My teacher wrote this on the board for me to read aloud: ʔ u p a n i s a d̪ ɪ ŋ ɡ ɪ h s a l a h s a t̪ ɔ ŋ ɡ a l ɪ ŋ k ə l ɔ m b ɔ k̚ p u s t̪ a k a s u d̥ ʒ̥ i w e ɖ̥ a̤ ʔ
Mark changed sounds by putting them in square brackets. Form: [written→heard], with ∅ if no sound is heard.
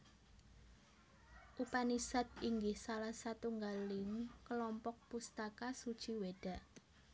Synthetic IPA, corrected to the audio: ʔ u p a n i s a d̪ [ɪ→i] ŋ ɡ ɪ h s a l a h s a t̪ [ɔ→u] ŋ ɡ a l ɪ ŋ k ə l ɔ m [b→p] ɔ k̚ p u s t̪ a k a s u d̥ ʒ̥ i w e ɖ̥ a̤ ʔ